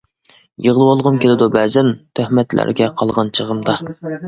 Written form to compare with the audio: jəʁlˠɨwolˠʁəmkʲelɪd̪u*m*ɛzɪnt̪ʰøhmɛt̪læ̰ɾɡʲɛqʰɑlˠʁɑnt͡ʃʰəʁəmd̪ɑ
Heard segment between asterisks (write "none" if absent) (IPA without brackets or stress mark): b